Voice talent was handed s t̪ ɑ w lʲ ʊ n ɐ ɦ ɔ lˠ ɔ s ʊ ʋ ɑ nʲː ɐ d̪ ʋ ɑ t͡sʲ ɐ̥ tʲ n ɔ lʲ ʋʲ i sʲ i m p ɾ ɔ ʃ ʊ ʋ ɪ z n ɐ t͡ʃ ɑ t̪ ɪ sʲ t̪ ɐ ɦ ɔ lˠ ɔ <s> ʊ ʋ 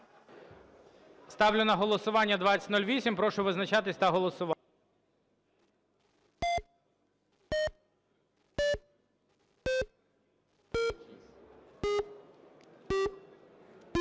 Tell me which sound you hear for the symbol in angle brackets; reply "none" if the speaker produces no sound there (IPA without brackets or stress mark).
s